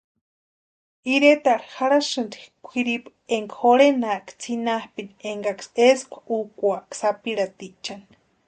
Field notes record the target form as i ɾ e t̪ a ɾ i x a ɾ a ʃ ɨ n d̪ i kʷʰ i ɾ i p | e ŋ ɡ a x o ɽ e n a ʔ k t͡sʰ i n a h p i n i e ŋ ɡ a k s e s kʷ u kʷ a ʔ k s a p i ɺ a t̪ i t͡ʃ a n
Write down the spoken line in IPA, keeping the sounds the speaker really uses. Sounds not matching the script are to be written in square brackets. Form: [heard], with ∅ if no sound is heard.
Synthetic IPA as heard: i ɾ e t̪ a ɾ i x a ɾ a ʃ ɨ n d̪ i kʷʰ i ɾ i p | e ŋ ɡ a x o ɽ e n a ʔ k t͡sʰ i n a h p i n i e ŋ ɡ a k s e s kʷ u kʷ a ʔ k s a p i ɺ a t̪ i t͡ʃ a n